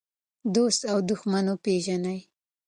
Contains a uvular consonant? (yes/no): no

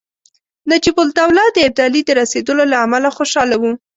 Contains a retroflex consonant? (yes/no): no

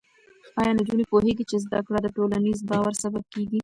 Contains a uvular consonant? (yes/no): no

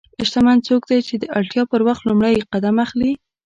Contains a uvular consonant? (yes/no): yes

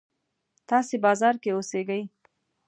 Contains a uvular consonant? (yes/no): no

